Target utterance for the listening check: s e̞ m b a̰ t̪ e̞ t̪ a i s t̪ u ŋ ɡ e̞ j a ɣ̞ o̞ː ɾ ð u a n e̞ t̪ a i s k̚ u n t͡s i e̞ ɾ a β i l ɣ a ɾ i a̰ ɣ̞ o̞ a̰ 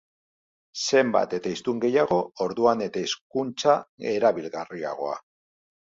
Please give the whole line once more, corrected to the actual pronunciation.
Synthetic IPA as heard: s e̞ m b a̰ t̪ e̞ t̪ a i s t̪ u ŋ ɡ e̞ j a ɣ̞ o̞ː ɾ ð u a n e̞ t̪ a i s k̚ u n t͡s a e̞ ɾ a β i l ɣ a r i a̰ ɣ̞ o̞ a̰